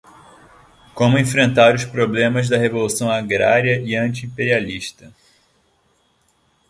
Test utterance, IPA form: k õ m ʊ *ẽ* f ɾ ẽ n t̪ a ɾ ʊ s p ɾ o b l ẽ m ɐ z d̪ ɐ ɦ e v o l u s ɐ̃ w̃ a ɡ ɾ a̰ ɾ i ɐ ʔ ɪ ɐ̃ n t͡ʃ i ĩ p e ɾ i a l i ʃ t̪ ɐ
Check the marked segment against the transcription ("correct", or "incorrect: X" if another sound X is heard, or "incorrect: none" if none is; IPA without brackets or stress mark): correct